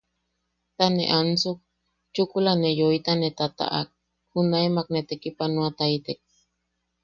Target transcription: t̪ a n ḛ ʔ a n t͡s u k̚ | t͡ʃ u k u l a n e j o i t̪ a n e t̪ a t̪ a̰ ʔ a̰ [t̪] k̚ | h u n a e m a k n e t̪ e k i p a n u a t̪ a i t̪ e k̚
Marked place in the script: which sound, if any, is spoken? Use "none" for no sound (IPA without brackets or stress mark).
none